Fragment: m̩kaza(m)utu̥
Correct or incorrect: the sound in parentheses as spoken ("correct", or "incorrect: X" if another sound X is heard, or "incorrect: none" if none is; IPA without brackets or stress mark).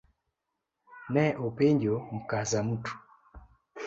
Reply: correct